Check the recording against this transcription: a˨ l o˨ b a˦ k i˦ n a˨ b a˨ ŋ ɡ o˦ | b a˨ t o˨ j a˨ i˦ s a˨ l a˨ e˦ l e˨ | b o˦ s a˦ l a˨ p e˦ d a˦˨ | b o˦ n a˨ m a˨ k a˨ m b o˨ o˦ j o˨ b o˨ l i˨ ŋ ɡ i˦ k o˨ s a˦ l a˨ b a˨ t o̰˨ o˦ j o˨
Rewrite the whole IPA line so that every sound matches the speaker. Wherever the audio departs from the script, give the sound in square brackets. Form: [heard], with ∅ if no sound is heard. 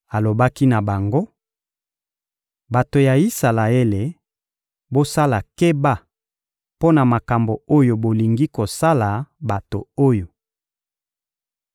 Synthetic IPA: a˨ l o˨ b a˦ k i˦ n a˨ b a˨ ŋ ɡ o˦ | b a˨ t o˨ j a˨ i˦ s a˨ l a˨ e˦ l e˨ | b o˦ s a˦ l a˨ [k] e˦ [b] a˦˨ | [p] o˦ n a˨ m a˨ k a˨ m b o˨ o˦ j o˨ b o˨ l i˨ ŋ ɡ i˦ k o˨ s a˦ l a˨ b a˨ t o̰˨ o˦ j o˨